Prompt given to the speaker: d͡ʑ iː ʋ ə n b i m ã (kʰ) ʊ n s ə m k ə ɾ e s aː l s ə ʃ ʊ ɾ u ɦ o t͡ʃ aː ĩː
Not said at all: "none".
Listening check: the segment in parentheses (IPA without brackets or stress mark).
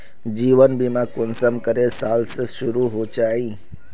k